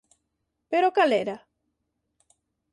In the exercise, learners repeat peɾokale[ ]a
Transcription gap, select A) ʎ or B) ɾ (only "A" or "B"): B